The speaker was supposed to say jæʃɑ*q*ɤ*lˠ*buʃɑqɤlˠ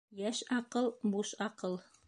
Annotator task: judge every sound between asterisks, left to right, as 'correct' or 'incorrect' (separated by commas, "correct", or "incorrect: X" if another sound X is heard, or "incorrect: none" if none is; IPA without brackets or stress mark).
correct, correct